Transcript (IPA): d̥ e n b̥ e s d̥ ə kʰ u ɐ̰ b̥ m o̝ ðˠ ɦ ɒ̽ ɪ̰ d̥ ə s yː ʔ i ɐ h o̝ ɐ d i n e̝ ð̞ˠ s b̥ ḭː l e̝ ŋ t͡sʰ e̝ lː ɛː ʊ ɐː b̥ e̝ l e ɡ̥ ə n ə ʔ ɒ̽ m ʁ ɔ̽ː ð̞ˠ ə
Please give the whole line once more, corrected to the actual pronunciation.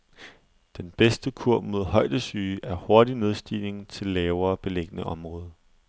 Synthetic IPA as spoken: d̥ e n b̥ e s d̥ ə kʰ u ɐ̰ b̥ m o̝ ðˠ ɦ ɒ̽ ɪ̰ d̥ ə s yː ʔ æ ɐ h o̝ ɐ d i n e̝ ð̞ˠ s d̥ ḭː l e̝ ŋ t͡sʰ e̝ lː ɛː ʊ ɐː b̥ e̝ l e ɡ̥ ə n ə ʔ ɒ̽ m ʁ ɔ̽ː ð̞ˠ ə